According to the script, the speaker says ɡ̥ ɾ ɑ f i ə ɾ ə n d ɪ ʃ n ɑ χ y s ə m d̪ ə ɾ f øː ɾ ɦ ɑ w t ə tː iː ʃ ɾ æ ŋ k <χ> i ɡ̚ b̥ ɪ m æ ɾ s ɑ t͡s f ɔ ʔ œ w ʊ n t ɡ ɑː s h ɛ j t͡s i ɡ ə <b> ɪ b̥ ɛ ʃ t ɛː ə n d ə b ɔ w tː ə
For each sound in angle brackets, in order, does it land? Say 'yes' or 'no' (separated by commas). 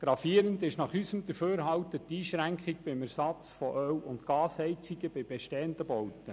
yes, yes